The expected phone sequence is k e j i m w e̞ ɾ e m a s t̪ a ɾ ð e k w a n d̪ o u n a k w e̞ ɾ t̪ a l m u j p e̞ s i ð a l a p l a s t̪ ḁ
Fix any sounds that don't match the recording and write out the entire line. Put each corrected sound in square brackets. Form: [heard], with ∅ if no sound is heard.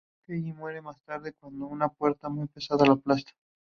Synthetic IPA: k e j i m w e̞ ɾ e m a s t̪ a ɾ ð e k w a n d̪ o u n a [p] w e̞ ɾ t̪ a [∅] m u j p e̞ s [a] ð a l a p l a s t̪ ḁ